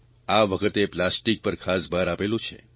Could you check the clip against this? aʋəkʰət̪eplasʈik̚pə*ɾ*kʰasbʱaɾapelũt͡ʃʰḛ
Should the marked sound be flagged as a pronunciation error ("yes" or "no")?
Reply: no